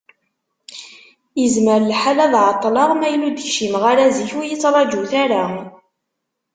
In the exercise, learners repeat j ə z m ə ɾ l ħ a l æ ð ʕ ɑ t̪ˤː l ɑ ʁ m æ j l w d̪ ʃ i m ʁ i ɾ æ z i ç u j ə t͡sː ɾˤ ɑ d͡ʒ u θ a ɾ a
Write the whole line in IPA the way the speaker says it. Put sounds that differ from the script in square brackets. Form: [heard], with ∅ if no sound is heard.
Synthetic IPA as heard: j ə z m ə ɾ l ħ a l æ ð ʕ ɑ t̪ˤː l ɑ ʁ m æ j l [u] d̪ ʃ i m ʁ [a] ɾ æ z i ç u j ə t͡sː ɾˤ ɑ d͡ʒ u θ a ɾ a